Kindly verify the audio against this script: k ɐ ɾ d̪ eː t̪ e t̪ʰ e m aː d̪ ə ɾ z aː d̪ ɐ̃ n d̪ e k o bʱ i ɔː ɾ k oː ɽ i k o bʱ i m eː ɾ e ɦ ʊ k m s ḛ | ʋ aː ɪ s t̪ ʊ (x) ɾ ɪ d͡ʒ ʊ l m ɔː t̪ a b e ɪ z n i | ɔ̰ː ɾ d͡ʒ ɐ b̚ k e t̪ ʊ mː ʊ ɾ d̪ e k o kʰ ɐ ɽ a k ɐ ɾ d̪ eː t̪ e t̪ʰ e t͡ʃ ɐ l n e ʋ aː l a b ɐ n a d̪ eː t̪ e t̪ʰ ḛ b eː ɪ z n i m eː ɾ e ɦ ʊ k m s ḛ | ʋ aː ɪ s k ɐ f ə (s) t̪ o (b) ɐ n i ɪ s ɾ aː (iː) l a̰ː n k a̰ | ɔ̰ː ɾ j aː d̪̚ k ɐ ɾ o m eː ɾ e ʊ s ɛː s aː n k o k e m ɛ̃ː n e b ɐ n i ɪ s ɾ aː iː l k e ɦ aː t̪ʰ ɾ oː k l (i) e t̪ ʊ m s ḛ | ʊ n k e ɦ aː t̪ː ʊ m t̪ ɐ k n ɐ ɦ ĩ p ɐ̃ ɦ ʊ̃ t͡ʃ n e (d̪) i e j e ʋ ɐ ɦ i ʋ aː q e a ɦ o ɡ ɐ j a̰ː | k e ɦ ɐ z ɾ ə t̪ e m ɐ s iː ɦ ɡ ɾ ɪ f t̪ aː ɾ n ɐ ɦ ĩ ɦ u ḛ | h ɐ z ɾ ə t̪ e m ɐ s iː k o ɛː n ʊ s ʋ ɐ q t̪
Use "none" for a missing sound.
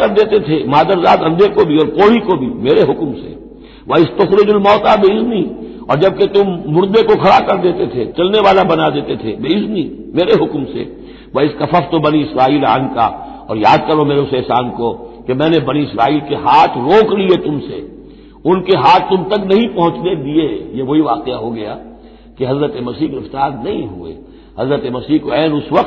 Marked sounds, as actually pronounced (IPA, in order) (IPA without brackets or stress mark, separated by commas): x, f, b, iː, i, d̪